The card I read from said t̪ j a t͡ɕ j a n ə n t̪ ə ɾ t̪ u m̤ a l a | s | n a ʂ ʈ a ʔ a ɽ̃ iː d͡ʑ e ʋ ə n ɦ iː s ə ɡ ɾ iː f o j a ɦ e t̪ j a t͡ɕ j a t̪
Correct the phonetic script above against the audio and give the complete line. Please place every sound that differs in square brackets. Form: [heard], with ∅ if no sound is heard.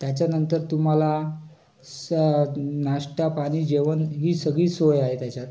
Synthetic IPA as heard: t̪ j a t͡ɕ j a n ə n t̪ ə ɾ t̪ u m̤ a l a | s | n a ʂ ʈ a [p] a ɽ̃ iː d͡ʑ e ʋ ə n ɦ iː s ə ɡ [ɭ] iː [s] o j a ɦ e t̪ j a t͡ɕ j a t̪